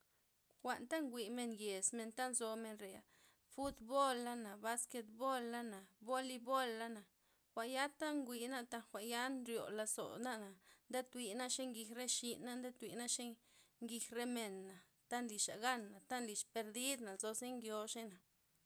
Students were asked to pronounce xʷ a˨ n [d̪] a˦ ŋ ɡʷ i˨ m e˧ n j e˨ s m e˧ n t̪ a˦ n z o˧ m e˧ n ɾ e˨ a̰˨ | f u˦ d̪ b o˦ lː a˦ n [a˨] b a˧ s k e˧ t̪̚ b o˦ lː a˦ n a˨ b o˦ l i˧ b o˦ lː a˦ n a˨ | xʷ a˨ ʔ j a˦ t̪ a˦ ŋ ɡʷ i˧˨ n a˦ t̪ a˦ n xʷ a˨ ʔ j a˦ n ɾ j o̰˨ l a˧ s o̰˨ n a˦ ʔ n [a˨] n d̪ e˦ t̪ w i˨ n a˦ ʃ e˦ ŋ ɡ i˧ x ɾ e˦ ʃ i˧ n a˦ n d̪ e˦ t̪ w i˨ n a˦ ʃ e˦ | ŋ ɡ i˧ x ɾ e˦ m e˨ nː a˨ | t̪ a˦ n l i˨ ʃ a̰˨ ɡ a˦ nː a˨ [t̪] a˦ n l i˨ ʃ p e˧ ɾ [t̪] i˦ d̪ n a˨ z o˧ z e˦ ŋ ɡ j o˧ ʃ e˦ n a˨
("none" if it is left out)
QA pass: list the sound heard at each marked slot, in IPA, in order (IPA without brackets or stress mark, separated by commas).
t̪, a˨, a˨, t̪, d̪